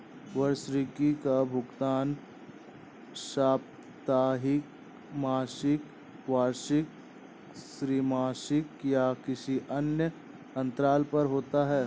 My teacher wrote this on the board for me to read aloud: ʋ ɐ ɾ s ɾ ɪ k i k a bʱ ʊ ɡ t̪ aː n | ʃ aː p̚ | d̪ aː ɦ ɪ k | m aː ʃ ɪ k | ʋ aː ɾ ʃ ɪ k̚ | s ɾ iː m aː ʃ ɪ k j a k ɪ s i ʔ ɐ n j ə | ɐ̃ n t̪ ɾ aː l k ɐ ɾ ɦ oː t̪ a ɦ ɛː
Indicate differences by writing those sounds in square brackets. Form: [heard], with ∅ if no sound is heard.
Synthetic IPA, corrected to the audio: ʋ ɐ ɾ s ɾ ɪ k i k a bʱ ʊ ɡ t̪ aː n | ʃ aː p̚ | [t̪] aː ɦ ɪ k | m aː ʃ ɪ k | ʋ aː ɾ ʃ ɪ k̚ | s ɾ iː m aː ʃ ɪ k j a k ɪ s i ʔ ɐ n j ə | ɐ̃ n t̪ ɾ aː l [p] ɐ ɾ ɦ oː t̪ a ɦ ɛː